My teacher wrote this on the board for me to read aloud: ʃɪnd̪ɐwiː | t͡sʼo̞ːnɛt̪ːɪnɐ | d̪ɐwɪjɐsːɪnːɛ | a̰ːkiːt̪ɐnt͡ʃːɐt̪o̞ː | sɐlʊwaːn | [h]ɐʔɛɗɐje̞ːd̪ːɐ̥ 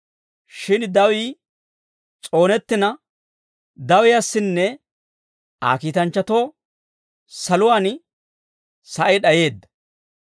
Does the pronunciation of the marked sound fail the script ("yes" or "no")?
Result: yes